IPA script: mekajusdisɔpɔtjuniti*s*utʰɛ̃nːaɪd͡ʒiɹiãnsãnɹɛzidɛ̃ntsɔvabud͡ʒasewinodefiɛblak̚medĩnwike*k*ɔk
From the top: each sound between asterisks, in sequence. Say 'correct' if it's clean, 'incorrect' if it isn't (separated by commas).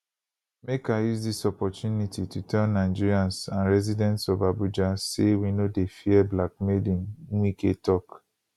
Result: incorrect, incorrect